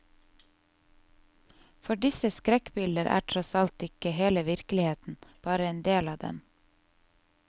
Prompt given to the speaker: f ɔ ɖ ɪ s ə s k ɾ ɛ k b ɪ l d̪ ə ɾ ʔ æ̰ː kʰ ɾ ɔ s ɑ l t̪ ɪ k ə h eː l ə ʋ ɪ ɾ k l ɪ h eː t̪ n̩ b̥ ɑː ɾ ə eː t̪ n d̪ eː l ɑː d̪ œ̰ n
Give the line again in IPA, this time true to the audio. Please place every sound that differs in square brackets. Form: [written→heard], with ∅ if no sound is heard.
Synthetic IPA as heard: f ɔ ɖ ɪ s ə s k ɾ ɛ k b ɪ l d̪ ə ɾ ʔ æ̰ː [kʰ→ʈʰ] ɾ ɔ s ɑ l t̪ ɪ k ə h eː l ə ʋ ɪ ɾ k l ɪ h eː t̪ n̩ b̥ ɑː ɾ ə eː [t̪→∅] n d̪ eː l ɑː d̪ [œ̰→ɛ̰] n